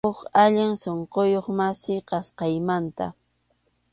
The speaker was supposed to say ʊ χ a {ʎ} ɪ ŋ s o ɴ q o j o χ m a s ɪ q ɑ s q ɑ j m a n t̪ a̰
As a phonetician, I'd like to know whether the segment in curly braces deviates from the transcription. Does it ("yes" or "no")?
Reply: no